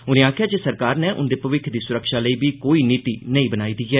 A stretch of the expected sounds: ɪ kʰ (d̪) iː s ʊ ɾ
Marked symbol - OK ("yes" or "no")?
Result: yes